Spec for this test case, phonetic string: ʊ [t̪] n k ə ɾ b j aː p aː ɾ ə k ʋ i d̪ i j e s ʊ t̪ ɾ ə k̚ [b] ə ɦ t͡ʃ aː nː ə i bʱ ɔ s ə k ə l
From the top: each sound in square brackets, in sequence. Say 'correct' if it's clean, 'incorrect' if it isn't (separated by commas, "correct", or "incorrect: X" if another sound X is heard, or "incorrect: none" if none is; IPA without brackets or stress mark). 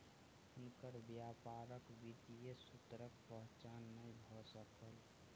incorrect: none, incorrect: p